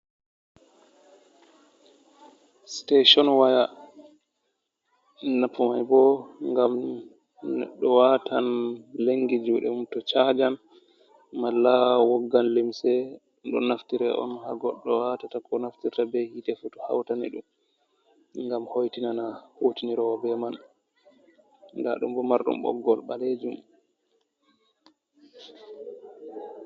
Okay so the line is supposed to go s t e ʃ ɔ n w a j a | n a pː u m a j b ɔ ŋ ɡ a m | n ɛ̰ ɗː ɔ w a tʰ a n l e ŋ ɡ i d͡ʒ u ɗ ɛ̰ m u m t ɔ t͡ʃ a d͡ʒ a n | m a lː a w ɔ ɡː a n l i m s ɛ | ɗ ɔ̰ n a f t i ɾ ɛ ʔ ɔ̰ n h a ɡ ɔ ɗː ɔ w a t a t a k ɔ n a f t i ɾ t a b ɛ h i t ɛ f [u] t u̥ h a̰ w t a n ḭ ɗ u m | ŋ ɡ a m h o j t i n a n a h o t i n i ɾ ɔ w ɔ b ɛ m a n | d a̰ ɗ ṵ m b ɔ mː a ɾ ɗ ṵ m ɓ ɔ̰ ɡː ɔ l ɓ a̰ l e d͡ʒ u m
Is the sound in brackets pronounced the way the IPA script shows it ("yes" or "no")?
yes